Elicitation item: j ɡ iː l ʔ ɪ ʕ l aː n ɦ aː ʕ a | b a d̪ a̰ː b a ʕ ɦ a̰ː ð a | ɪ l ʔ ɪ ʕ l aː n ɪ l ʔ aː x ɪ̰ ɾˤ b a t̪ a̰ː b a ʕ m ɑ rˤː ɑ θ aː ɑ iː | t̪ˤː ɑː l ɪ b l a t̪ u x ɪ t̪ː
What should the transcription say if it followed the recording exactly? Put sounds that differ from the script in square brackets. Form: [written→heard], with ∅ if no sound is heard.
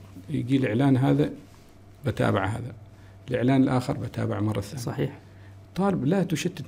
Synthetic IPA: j ɡ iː l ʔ ɪ ʕ l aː n ɦ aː [ʕ→ð] a | b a [d̪→t̪] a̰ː b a ʕ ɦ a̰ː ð a | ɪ l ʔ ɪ ʕ l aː n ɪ l ʔ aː x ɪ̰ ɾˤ b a t̪ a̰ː b a ʕ m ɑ rˤː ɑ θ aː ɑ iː | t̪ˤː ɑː l ɪ b l a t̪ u [x→ʃ] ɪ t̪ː